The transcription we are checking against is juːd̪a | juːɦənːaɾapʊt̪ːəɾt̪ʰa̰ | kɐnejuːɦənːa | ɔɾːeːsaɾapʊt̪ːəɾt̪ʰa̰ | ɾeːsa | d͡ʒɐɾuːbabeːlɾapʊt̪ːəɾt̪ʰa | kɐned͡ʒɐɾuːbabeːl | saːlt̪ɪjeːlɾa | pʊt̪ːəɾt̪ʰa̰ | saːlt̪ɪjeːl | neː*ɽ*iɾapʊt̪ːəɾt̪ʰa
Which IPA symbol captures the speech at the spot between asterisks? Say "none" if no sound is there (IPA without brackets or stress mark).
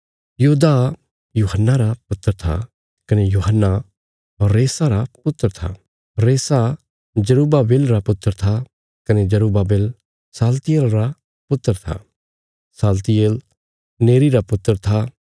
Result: ɾ